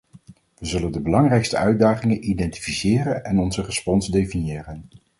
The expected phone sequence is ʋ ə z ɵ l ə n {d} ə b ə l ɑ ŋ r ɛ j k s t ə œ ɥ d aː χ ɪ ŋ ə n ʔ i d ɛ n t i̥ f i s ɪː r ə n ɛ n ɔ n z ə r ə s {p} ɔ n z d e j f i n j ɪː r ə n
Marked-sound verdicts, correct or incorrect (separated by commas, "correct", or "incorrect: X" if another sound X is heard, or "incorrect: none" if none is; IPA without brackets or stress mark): correct, correct